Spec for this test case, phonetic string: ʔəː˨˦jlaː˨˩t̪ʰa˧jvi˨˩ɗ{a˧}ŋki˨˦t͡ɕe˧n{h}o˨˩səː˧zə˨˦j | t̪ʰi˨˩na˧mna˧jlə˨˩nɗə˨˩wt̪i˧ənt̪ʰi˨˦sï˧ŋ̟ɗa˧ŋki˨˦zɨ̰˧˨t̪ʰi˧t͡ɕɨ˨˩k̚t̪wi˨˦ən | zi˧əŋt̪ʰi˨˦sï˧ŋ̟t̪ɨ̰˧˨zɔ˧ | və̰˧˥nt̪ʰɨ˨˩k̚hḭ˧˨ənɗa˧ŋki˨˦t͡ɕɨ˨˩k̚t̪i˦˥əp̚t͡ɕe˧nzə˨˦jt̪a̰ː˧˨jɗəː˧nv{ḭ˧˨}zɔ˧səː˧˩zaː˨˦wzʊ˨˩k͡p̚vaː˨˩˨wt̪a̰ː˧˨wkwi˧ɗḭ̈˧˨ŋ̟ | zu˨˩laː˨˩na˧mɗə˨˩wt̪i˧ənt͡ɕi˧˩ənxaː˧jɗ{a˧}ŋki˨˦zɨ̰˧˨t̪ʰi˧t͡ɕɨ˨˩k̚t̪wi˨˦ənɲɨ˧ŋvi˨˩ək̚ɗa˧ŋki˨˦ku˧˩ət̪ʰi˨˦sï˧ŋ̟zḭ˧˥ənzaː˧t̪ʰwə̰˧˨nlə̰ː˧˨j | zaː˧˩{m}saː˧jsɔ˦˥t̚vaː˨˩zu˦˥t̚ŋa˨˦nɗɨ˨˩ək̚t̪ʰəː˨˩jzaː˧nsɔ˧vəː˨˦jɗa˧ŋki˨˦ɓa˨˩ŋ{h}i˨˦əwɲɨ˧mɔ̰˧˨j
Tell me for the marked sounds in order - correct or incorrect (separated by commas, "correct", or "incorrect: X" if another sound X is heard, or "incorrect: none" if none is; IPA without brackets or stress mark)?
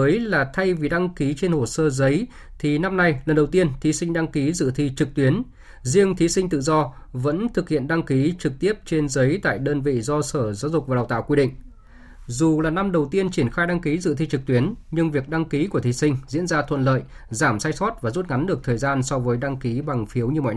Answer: correct, correct, correct, correct, correct, incorrect: f